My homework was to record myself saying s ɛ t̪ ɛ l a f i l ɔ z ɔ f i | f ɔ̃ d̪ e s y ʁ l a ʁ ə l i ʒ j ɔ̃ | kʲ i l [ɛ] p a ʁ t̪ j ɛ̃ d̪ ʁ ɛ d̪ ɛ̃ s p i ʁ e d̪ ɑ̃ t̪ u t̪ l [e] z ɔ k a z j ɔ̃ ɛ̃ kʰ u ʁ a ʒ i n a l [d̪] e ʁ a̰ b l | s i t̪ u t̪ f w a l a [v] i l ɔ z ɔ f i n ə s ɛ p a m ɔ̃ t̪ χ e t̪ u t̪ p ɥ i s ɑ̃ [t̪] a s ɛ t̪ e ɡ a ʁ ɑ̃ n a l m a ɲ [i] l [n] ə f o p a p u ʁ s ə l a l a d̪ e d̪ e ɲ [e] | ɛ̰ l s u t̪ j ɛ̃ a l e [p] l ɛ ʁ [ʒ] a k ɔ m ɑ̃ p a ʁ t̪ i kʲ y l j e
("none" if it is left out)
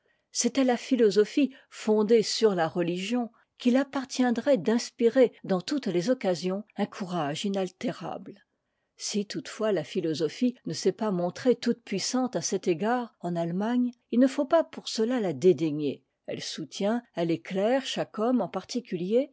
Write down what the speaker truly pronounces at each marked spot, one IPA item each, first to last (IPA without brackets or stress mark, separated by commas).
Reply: a, e, t̪, f, t̪, i, n, e, k, ʃ